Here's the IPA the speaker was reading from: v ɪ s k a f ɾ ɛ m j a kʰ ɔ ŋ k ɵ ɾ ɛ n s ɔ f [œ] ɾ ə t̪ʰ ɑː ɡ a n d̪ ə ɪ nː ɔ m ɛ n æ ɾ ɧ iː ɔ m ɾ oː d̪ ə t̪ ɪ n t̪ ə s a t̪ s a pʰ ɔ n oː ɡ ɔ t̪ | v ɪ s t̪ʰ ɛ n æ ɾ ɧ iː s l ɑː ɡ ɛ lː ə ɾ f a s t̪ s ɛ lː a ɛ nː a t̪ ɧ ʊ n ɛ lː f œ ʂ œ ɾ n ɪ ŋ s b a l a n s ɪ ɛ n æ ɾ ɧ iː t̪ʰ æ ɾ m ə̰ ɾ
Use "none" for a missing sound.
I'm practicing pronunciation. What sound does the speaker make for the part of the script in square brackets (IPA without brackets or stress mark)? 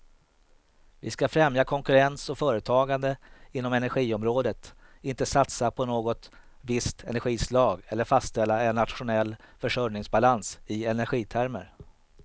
œː